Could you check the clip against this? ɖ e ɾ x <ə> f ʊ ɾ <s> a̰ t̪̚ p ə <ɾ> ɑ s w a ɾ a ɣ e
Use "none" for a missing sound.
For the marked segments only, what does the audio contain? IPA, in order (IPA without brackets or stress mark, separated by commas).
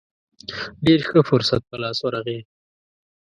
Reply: ə, s, l